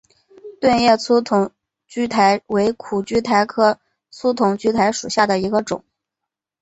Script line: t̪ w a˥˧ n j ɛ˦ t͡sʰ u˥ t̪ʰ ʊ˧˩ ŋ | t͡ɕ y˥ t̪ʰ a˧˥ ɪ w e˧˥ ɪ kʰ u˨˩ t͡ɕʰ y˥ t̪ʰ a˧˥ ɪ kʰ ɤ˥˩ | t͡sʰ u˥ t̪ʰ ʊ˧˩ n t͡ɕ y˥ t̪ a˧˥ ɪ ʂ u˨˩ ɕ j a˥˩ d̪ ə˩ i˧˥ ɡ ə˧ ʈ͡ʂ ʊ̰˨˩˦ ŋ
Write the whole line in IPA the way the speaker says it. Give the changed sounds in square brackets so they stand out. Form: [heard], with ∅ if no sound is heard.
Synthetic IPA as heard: t̪ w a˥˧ n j [ɛ˥˩] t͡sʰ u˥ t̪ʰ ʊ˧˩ ŋ | t͡ɕ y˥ t̪ʰ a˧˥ ɪ w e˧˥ ɪ kʰ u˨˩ [t͡ɕ] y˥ t̪ʰ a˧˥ ɪ kʰ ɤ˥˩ | t͡sʰ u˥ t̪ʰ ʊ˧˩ [ŋ] t͡ɕ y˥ [t̪ʰ] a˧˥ ɪ ʂ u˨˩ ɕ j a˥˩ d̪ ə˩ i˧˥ ɡ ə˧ ʈ͡ʂ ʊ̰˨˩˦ ŋ